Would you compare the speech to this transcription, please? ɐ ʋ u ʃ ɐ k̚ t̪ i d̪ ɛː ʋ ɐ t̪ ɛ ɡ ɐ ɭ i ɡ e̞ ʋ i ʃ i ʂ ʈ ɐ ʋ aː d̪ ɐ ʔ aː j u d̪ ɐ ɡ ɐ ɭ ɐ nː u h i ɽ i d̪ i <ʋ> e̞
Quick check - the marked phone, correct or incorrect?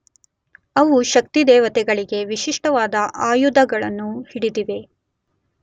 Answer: correct